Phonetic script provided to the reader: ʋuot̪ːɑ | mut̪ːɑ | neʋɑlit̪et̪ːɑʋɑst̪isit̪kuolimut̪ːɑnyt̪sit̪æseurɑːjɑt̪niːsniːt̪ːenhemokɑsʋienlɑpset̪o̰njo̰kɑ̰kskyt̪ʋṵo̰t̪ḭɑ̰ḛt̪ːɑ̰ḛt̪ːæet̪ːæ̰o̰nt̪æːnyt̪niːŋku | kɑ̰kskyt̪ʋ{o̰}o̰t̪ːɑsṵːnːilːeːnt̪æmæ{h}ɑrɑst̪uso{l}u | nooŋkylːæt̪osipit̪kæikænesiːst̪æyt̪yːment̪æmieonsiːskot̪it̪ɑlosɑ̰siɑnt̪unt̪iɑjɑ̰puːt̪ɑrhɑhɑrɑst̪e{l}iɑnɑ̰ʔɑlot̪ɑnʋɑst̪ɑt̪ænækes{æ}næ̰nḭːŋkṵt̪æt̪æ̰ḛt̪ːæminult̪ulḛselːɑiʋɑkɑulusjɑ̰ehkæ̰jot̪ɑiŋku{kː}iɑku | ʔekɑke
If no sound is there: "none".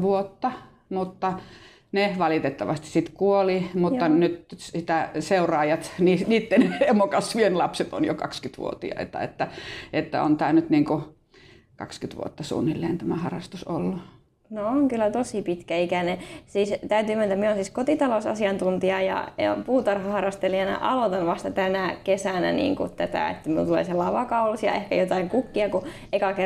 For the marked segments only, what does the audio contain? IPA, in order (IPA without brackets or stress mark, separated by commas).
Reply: ṵ, h, lː, l, æ, kː